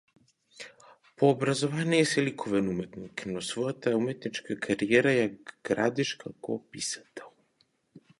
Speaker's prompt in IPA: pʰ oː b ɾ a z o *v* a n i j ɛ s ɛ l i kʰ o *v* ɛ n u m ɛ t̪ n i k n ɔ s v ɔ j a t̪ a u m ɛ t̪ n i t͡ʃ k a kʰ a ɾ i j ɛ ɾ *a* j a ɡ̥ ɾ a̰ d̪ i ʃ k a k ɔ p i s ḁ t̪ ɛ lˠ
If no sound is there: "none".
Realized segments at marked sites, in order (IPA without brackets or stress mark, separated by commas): v, v, a